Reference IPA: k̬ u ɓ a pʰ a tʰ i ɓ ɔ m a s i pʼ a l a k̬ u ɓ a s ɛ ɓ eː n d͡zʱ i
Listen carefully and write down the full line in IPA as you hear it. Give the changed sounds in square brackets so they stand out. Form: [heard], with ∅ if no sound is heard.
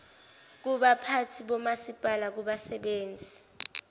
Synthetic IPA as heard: k̬ u ɓ a pʰ a tʰ i ɓ ɔ m a s i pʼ a l a k̬ u ɓ a s ɛ ɓ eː n d͡zʱ i